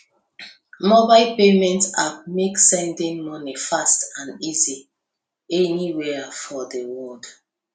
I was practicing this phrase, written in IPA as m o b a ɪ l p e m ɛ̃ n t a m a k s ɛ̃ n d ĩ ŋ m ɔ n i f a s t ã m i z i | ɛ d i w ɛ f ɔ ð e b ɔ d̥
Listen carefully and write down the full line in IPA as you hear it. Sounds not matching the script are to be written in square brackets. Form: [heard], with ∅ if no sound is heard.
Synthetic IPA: m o b a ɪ l p e m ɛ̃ n t a m [e] k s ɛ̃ n d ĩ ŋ m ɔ n i f a s t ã [n] i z i | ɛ [n] i w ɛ f ɔ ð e [w] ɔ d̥